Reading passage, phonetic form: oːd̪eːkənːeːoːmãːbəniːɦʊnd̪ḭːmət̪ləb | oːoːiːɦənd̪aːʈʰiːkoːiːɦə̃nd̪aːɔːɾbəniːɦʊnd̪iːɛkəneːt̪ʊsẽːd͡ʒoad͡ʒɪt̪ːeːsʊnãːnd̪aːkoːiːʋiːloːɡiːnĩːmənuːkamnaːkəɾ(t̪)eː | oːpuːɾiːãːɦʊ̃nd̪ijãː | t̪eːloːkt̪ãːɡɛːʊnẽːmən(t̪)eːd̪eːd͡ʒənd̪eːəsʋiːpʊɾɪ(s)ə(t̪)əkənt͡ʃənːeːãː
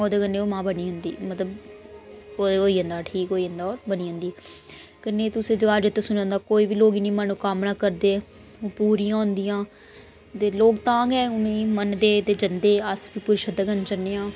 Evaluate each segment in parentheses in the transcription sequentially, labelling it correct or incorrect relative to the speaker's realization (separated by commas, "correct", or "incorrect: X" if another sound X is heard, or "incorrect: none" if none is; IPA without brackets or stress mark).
incorrect: d̪, incorrect: d̪, incorrect: ʃ, incorrect: d̪